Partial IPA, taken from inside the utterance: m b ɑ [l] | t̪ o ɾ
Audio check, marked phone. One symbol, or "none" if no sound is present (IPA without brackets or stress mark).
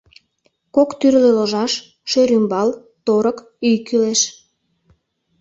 l